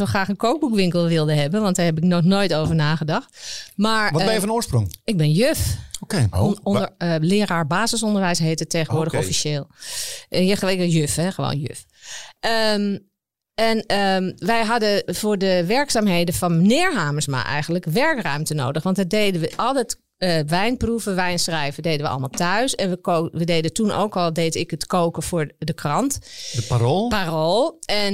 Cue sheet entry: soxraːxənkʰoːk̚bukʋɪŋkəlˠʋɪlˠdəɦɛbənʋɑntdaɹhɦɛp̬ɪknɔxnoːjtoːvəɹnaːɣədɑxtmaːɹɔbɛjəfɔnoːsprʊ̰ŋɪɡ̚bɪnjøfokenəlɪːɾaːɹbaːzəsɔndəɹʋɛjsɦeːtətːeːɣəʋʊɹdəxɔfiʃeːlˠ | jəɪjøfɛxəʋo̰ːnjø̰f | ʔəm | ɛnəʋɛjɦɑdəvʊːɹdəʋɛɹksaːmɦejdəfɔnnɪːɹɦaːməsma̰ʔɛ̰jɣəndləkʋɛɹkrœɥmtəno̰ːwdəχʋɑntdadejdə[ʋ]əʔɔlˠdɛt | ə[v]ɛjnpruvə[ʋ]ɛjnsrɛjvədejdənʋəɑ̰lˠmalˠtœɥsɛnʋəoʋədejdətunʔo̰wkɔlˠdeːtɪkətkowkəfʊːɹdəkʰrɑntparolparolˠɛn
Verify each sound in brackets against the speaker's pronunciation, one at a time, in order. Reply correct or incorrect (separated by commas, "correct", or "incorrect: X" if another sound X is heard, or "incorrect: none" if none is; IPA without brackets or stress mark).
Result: correct, incorrect: ʋ, correct